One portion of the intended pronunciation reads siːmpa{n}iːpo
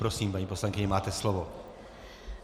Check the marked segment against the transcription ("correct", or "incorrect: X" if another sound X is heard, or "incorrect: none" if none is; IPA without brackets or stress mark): incorrect: ɲ